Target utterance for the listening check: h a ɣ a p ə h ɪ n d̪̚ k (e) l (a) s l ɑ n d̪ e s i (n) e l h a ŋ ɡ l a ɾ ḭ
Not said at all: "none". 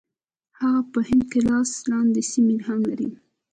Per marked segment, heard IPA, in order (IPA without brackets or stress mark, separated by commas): e, ɑ, m